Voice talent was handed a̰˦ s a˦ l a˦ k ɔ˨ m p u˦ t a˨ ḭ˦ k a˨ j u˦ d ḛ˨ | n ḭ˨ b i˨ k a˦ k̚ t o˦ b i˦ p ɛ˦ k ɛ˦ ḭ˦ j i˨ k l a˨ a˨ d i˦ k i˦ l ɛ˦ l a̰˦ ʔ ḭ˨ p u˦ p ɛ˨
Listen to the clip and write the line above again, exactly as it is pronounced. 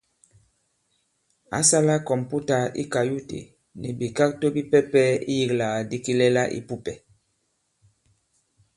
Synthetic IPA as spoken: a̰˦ s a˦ l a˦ k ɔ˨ m p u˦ t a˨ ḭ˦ k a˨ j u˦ t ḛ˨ | n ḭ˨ b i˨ k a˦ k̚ t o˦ b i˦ p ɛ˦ p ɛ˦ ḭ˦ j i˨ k l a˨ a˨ d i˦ k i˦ l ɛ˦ l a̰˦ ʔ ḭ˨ p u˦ p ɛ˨

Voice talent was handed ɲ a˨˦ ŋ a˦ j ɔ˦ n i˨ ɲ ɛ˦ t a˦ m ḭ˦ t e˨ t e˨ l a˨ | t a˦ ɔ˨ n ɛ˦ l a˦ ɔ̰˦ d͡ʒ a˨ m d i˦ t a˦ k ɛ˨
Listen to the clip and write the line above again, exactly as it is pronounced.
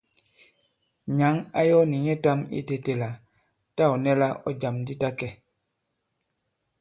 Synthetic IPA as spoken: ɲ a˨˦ ŋ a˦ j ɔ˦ n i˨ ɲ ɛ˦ t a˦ m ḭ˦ t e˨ t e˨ l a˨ | t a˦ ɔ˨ n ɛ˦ l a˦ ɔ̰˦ d͡ʒ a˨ m d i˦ t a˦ k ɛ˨

